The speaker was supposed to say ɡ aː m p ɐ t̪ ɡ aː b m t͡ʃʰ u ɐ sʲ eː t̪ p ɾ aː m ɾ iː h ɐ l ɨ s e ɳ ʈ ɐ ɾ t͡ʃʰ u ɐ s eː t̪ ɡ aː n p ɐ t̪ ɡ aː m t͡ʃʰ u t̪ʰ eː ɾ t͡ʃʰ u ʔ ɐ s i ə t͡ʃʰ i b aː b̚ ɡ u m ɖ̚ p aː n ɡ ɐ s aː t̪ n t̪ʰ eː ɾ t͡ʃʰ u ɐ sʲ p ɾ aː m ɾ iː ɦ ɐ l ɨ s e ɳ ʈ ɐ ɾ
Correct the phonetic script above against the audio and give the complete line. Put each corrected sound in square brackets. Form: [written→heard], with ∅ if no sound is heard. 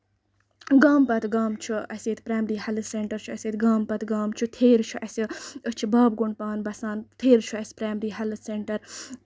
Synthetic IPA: ɡ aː m p ɐ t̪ ɡ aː [b→∅] m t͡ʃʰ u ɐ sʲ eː t̪ p ɾ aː m ɾ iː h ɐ l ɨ s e ɳ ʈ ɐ ɾ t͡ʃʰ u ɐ s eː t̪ ɡ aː [n→m] p ɐ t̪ ɡ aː m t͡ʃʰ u t̪ʰ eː ɾ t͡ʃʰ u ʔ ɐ s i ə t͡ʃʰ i b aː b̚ ɡ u [m→ɳ] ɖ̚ p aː n [ɡ→b] ɐ s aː [t̪→∅] n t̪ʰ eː ɾ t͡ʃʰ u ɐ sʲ p ɾ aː m ɾ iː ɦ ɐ l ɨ s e ɳ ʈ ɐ ɾ

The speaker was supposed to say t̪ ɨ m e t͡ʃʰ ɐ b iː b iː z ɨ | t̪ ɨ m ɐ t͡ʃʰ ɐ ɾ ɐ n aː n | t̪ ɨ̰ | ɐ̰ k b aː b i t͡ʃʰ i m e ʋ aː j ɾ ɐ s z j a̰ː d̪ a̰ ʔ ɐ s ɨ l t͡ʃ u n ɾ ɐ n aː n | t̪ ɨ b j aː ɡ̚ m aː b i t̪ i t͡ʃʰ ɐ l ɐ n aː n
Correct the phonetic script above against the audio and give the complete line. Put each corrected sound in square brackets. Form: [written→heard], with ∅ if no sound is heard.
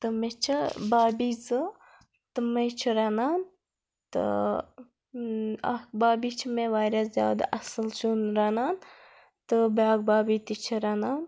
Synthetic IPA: t̪ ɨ m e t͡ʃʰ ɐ b [iː→aː] b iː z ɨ | t̪ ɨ m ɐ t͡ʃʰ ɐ ɾ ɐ n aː n | t̪ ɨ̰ | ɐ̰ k b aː b i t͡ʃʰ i m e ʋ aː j ɾ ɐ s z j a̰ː d̪ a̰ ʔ ɐ s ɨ l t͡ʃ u n ɾ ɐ n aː n | t̪ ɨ b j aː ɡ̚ [m→b] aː b i t̪ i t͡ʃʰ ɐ [l→ɾ] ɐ n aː n

